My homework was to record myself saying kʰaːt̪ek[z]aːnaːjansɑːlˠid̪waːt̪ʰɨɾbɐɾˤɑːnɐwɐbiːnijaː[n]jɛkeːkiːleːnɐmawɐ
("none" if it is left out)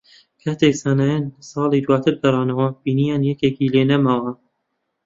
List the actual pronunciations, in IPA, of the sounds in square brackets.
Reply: s, n

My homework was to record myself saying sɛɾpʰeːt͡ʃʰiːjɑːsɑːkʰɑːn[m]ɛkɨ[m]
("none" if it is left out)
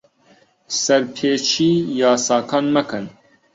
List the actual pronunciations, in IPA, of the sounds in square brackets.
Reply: m, n

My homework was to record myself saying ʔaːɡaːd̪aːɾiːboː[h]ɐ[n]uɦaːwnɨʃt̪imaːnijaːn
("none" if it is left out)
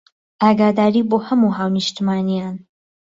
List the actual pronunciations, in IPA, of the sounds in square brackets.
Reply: h, m

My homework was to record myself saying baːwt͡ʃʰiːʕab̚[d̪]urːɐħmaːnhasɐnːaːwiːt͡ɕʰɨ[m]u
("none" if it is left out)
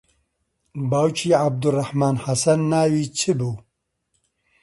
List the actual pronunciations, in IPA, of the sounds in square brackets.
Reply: d̪, b

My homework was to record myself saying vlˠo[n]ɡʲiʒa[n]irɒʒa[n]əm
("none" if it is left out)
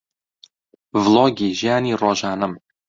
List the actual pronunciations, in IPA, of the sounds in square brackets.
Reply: none, n, n

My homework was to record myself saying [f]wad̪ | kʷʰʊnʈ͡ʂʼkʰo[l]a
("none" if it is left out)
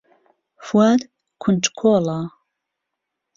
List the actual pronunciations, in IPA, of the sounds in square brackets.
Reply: f, l

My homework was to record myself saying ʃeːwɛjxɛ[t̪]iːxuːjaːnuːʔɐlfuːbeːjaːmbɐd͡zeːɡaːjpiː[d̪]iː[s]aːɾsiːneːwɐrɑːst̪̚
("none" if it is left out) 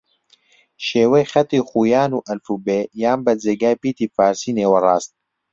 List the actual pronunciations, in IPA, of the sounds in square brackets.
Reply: t̪, t̪, f

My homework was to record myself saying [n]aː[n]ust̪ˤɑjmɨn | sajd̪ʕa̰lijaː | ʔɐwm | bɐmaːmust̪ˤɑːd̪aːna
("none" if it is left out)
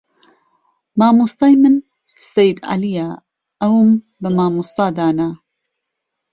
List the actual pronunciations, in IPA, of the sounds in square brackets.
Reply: m, m

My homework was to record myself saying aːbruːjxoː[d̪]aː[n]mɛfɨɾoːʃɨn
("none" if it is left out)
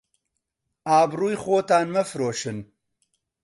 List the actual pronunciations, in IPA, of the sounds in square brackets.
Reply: t̪, n

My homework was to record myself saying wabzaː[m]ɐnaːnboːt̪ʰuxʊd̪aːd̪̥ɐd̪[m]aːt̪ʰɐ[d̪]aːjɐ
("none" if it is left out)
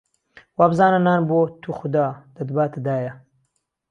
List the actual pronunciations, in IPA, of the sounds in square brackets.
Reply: n, b, d̪

